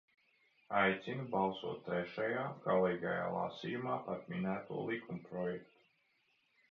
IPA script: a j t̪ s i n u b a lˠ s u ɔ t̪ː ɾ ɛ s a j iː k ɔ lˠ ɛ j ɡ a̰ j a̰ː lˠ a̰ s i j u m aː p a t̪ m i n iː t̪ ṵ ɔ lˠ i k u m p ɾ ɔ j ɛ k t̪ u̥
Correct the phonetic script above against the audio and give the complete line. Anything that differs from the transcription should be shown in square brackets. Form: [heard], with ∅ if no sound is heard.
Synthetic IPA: a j t̪ s i n u b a lˠ s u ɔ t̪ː ɾ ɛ [ʃ] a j [aː] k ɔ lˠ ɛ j ɡ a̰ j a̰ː lˠ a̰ s i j u m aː p a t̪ m i n [æː] t̪ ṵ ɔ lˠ i k u m p ɾ ɔ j ɛ k t̪ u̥